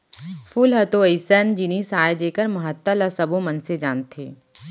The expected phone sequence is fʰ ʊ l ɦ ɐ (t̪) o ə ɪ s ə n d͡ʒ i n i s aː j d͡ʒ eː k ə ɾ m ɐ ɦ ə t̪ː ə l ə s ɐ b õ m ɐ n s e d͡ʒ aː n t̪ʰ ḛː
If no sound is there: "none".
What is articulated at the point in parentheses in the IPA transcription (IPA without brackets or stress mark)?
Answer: t̪